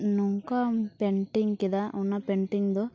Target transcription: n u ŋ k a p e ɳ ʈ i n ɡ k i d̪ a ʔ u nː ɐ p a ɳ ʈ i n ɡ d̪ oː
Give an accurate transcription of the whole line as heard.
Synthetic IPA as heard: n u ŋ k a p e ɳ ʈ i ŋ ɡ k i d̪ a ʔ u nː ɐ p e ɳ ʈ i ŋ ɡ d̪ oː

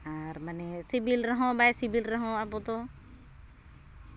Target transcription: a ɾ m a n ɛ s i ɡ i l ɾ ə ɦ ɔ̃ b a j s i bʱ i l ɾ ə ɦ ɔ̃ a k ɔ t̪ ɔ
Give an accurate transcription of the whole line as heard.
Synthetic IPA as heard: a ɾ m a n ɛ s i b i l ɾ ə ɦ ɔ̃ b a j s i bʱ i l ɾ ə ɦ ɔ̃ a p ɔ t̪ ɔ

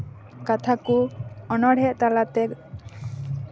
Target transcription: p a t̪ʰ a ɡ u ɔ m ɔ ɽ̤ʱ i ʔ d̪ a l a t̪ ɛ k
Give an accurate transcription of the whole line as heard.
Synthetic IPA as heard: k a t̪ʰ a k u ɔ n ɔ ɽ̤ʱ ɛ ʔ t̪ a l a t̪ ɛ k

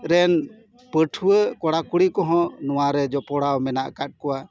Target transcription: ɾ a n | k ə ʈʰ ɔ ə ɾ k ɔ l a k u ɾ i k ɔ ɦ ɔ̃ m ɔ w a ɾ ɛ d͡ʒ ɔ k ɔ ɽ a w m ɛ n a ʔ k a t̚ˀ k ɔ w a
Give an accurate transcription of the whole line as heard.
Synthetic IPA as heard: ɾ ɛ n | p ə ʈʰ u ə k ɔ ɽ a k u ɽ i k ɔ ɦ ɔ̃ n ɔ w a ɾ ɛ d͡ʒ ɔ p ɔ ɽ a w m ɛ n a ʔ k a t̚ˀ k ɔ w a

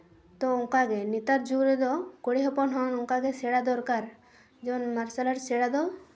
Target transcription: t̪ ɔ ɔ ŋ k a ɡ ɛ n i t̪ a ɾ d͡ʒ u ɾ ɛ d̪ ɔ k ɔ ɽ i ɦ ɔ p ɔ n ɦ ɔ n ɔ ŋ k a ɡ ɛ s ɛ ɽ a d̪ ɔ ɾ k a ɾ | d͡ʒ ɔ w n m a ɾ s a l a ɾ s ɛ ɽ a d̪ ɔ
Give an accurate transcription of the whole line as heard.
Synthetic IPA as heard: t̪ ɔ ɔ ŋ k a ɡ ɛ n i t̪ a ɾ d͡ʒ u ɾ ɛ d̪ ɔ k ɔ ɽ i ɦ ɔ p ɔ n ɦ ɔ n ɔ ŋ k a ɡ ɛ s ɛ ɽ a d̪ ɔ ɾ k a ɾ | d͡ʒ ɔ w n m a ɾ s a l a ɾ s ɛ ɽ a d̪ ɔ

